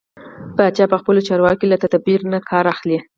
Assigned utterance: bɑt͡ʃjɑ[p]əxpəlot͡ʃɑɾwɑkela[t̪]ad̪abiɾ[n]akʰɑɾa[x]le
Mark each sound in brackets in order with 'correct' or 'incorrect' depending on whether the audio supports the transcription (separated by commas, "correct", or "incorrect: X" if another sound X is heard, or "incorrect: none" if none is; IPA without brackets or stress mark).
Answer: correct, correct, correct, correct